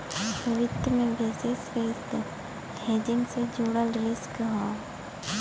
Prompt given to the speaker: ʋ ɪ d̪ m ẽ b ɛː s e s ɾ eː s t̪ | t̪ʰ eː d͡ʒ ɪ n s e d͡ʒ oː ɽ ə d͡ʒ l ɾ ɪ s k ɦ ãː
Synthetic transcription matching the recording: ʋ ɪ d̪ m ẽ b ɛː s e s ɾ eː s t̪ | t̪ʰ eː d͡ʒ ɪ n s e d͡ʒ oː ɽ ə l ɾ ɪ s k ɦ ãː